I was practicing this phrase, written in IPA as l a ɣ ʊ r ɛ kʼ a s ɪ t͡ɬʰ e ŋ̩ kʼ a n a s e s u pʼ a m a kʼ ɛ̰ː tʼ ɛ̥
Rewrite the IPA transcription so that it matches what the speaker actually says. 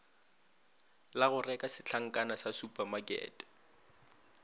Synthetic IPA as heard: l a ɣ ʊ r ɛ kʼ a s ɪ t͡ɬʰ a ŋ̩ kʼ a n a s a s u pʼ a m a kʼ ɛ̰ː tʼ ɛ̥